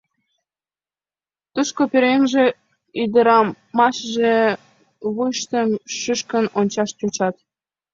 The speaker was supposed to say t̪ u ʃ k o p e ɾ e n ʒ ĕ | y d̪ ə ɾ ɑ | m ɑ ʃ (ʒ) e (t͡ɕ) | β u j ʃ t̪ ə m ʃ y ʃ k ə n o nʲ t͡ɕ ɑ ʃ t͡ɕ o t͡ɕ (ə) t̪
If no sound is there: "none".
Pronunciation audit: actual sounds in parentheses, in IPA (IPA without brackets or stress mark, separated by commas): ʒ, none, ɑ